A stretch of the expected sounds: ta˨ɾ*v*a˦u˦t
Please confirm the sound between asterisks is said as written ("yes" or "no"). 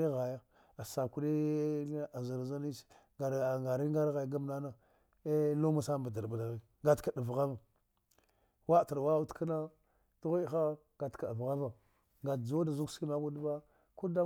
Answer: no